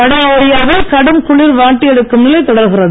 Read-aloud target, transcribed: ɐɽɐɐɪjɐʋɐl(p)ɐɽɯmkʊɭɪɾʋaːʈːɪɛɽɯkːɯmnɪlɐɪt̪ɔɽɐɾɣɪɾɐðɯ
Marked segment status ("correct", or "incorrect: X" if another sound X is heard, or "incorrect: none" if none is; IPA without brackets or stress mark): incorrect: k